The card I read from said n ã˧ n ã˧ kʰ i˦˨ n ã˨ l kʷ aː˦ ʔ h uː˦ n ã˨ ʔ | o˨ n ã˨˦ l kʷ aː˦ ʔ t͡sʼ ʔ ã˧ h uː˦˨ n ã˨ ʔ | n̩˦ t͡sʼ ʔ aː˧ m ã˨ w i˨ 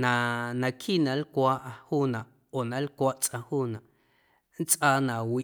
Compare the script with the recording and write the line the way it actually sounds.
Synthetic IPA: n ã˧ n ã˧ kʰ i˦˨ n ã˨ l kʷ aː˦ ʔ h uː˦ n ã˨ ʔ | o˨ n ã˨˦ l kʷ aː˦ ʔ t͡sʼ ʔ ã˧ h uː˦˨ n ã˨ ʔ | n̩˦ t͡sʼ ʔ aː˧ n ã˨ w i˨